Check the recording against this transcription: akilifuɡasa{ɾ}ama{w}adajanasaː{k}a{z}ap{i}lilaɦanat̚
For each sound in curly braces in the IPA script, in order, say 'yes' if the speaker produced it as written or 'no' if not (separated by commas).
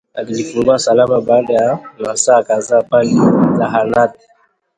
no, no, yes, yes, no